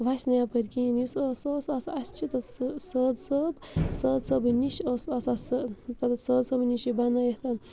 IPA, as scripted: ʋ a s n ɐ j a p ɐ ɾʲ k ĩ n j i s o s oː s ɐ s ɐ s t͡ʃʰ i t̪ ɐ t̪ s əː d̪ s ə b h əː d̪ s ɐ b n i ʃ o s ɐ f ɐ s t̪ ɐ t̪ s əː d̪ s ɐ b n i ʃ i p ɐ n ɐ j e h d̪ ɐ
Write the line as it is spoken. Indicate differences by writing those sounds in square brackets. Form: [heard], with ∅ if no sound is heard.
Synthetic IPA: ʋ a s n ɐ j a p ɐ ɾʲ k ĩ n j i s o s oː s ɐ s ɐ s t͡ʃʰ i t̪ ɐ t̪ s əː d̪ s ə b [s] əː d̪ s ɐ b n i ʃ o s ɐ [s] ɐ s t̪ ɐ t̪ s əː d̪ s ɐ b n i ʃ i [b] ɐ n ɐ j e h [t̪] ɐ